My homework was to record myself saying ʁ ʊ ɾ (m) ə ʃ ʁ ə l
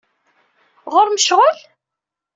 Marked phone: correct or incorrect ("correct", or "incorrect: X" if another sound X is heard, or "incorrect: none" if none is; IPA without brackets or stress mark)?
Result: correct